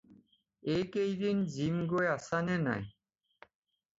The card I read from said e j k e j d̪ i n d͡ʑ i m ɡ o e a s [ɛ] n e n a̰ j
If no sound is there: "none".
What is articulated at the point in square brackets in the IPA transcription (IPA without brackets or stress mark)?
a